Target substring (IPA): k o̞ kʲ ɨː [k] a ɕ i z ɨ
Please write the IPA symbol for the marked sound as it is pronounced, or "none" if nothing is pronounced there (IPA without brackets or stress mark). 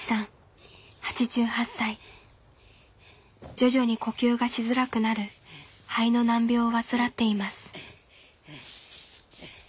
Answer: ɡ